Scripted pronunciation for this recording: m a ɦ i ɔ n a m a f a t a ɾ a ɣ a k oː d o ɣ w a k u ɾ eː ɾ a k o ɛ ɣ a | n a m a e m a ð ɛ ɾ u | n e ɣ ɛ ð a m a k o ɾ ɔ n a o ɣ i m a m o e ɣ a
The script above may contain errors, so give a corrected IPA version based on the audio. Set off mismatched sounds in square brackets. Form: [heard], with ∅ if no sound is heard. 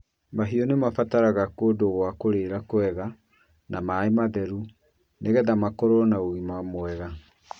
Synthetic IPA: m a ɦ i ɔ n [e] m a f a t a ɾ a ɣ a k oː d o ɣ w a k [o] ɾ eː ɾ a k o ɛ ɣ a | n a m a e m a ð ɛ ɾ u | n e ɣ ɛ ð a m a k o ɾ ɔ n a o ɣ i m a m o [ɛ] ɣ a